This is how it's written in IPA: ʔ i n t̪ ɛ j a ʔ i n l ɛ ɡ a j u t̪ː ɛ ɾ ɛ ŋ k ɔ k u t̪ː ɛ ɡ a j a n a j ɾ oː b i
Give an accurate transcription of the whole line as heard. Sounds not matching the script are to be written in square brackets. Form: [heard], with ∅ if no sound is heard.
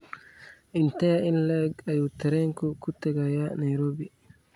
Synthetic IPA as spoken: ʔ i n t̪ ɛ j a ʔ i n l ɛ ɡ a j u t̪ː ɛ ɾ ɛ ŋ k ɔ k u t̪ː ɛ ɡ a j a n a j ɾ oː b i